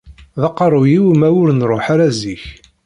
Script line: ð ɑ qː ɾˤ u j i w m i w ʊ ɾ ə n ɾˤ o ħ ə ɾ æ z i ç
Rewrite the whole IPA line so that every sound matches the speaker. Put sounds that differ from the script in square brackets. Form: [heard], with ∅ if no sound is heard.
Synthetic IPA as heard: ð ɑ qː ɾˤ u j i w m [æ] w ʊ ɾ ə n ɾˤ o ħ [a] ɾ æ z i ç